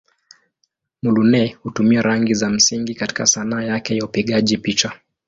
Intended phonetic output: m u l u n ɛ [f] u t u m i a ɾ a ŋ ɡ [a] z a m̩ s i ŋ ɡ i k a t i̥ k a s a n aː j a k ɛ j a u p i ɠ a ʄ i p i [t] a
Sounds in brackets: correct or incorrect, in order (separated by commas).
incorrect, incorrect, incorrect